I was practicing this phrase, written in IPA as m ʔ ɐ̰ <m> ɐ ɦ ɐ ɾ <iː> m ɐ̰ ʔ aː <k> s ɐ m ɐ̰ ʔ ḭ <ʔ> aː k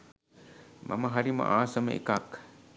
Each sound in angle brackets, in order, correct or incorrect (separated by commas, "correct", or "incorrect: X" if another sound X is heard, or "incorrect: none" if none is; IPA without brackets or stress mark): correct, incorrect: i, incorrect: none, incorrect: k